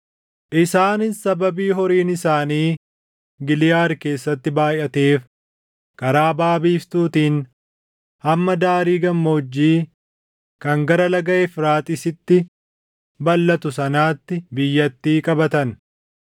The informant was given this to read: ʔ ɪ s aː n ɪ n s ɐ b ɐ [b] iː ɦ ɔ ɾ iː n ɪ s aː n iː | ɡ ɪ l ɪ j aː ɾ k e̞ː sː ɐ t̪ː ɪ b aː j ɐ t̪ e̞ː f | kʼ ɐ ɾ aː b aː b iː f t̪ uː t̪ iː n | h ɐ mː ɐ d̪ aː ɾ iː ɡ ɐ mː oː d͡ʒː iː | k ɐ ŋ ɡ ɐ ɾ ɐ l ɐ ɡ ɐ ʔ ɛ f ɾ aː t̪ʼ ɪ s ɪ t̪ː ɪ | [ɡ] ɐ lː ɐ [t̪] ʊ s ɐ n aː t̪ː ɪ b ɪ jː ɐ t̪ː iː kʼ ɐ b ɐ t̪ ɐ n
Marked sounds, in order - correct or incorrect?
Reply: correct, incorrect: b, correct

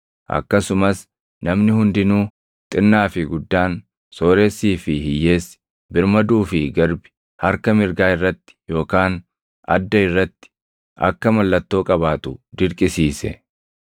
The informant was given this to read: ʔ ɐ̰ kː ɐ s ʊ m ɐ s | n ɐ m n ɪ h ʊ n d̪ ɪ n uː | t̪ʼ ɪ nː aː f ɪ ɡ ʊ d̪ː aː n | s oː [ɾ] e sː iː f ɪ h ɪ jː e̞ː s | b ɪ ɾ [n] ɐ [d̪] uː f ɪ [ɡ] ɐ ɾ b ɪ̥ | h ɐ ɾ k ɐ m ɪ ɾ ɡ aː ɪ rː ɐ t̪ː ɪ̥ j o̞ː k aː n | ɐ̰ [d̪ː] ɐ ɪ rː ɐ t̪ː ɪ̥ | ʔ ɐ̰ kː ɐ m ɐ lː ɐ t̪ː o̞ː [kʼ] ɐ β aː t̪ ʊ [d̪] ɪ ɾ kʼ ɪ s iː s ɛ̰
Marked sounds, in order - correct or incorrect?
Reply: correct, incorrect: m, correct, correct, correct, correct, correct

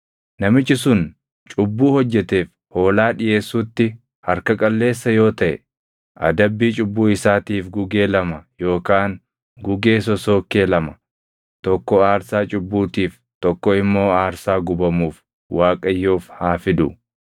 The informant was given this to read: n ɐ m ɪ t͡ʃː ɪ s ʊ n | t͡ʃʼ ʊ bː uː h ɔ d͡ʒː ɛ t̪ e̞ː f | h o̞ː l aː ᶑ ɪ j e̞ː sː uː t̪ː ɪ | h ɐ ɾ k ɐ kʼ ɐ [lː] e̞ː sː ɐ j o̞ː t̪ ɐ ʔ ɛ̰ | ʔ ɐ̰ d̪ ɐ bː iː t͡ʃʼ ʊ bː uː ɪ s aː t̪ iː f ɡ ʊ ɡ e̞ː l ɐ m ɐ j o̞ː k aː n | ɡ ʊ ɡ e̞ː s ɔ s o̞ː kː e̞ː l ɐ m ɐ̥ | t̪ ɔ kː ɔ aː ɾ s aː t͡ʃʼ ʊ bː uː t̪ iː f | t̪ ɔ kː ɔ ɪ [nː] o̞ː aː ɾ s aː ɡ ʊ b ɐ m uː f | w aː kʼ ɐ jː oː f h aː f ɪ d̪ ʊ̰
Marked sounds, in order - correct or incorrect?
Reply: correct, incorrect: mː

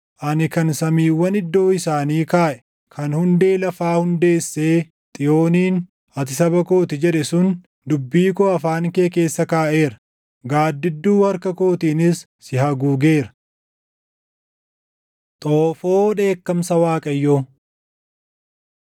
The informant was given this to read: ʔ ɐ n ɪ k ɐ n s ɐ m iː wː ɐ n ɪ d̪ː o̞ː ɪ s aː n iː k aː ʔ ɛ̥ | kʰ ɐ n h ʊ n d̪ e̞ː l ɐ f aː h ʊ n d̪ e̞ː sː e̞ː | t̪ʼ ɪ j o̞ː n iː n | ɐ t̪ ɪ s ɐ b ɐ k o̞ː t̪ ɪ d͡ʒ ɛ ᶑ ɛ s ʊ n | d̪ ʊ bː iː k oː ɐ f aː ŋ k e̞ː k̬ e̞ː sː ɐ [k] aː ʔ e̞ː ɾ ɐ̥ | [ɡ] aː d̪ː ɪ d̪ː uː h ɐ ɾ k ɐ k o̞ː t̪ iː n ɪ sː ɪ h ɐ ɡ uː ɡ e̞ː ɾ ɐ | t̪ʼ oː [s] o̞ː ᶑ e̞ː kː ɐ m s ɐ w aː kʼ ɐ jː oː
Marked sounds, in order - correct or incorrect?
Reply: correct, correct, incorrect: f

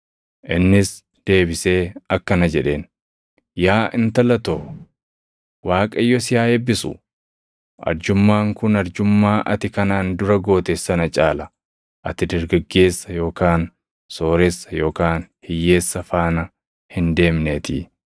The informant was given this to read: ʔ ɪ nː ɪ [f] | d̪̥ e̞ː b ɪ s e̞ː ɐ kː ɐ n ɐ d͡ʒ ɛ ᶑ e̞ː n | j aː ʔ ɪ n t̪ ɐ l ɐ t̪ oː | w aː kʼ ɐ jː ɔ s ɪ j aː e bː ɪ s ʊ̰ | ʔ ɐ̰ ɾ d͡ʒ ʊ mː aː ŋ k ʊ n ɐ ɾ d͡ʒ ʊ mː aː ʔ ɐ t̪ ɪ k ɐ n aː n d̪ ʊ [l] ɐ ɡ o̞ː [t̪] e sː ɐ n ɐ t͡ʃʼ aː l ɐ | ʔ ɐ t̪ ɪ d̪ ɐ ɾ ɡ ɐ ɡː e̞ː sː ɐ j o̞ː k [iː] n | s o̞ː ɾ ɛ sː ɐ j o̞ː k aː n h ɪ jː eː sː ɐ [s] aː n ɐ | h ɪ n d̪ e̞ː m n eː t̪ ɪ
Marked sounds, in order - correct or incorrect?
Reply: incorrect: s, incorrect: ɾ, correct, incorrect: aː, incorrect: f

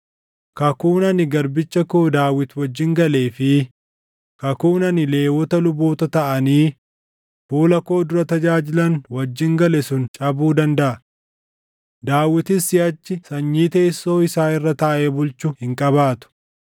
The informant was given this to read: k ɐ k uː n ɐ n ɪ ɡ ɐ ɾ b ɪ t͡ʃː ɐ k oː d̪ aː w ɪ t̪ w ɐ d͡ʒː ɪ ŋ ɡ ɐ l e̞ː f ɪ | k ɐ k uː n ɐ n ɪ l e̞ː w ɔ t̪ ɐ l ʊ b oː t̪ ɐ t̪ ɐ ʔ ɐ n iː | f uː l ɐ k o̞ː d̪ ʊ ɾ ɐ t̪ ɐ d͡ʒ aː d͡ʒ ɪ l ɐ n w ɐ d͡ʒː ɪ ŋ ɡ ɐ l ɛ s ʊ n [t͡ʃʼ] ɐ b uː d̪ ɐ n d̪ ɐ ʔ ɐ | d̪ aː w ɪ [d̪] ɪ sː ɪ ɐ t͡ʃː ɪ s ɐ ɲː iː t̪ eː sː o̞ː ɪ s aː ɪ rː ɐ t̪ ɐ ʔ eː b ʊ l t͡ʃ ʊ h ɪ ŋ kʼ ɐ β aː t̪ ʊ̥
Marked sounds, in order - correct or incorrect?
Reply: correct, incorrect: t̪

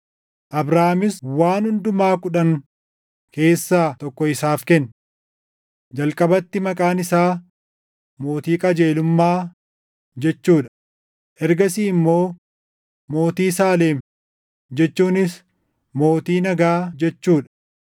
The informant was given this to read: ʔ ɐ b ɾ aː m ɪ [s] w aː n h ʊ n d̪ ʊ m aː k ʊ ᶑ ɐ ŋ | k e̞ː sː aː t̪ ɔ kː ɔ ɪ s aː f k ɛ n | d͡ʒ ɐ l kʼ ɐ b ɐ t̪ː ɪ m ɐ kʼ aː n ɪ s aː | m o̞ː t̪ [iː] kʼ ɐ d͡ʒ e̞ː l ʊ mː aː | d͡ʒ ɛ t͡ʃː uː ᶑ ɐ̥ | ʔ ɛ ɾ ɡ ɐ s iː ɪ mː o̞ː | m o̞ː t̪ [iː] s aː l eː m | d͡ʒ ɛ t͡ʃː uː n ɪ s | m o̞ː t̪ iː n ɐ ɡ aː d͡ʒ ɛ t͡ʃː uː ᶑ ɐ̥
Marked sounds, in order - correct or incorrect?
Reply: correct, correct, correct

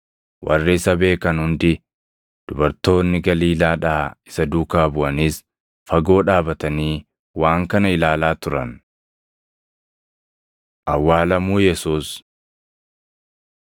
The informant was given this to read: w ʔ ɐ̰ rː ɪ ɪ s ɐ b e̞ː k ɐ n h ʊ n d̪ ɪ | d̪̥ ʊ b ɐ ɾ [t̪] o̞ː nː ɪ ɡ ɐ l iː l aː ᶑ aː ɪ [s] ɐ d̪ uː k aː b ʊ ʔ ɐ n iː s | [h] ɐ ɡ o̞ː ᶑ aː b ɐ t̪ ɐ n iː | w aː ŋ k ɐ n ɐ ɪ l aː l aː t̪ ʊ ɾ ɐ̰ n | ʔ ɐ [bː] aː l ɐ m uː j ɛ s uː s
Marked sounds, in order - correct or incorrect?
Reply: correct, correct, incorrect: f, incorrect: wː

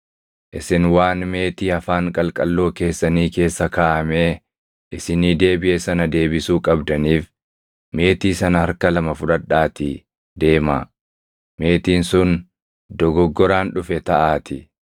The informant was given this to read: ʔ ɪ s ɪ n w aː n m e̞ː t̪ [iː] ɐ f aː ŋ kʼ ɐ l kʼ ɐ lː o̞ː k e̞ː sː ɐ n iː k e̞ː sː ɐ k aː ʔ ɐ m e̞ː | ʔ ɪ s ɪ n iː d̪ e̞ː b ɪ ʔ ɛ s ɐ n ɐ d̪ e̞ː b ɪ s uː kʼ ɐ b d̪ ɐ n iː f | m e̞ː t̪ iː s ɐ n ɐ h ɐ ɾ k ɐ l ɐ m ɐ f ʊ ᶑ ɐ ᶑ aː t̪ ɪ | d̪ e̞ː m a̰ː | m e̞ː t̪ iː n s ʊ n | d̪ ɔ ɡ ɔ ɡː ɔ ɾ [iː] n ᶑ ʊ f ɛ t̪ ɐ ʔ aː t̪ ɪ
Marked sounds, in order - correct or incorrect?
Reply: correct, incorrect: aː

